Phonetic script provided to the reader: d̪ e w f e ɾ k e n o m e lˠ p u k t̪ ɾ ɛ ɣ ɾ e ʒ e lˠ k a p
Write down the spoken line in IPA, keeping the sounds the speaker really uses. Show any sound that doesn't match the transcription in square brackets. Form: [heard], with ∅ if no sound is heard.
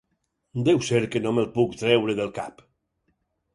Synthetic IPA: d̪ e w [s] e ɾ k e n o m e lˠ p u k t̪ ɾ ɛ [w] ɾ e [ð] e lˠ k a p